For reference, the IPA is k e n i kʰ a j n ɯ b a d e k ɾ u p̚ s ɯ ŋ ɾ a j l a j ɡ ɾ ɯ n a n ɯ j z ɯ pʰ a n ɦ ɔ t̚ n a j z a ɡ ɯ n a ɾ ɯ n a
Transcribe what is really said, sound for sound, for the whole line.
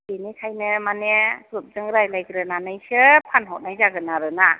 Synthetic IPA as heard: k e n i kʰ a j n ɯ m a n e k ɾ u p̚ z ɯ ŋ ɾ a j l a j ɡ ɾ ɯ n a n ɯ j s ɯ pʰ a n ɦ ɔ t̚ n a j z a ɡ ɯ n a ɾ ɯ n a